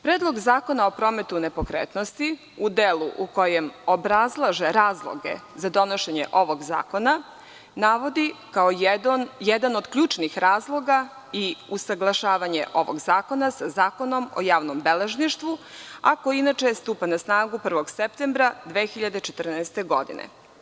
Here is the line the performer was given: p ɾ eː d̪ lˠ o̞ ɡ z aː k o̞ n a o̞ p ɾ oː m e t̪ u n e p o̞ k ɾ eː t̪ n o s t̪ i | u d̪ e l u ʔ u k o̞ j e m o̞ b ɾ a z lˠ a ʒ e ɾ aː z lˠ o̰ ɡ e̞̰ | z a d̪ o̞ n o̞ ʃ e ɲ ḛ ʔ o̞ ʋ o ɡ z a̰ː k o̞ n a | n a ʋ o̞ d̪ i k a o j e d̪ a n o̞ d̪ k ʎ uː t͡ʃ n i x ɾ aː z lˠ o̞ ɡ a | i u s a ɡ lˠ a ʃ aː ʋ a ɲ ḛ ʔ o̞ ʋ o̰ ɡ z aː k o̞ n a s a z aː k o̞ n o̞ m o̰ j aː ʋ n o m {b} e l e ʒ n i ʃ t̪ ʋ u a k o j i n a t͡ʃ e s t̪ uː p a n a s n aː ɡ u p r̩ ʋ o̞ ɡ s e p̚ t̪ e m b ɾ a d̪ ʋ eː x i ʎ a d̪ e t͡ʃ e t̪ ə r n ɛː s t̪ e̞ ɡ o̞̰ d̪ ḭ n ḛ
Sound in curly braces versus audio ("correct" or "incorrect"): correct